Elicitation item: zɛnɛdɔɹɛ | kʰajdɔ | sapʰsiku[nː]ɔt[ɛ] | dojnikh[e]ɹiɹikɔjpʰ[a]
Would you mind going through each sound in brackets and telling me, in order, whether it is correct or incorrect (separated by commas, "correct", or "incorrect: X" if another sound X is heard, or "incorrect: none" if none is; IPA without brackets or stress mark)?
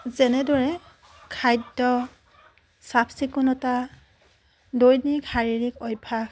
incorrect: n, incorrect: a, incorrect: a, correct